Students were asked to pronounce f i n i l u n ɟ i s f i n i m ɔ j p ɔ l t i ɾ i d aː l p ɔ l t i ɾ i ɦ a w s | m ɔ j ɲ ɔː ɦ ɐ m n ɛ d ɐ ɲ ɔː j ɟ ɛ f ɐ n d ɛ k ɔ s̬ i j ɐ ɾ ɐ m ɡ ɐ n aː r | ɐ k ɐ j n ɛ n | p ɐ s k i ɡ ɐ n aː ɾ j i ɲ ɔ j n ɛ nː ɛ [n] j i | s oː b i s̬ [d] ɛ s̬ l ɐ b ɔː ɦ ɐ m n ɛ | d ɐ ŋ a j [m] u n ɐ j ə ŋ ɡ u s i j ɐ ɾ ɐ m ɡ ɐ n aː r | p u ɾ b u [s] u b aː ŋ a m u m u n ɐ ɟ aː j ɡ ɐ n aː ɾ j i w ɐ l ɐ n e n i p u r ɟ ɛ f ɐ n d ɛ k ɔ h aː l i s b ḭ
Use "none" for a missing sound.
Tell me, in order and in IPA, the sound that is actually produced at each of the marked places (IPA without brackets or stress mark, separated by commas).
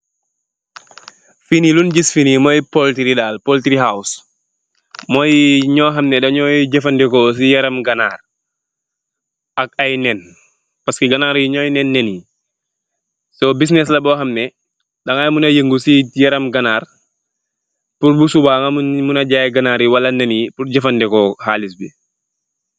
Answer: n, n, m, s